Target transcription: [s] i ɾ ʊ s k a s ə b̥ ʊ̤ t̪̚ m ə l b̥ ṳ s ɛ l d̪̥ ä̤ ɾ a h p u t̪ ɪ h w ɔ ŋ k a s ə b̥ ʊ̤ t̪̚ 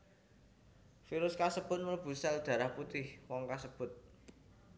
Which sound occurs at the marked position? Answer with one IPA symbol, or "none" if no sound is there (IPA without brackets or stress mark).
f